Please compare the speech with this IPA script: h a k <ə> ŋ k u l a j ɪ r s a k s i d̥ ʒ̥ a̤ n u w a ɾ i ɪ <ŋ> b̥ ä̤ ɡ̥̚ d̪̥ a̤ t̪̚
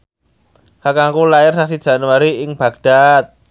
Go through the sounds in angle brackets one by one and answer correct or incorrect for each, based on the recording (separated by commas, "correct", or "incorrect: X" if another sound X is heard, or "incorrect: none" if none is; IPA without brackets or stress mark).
incorrect: a, correct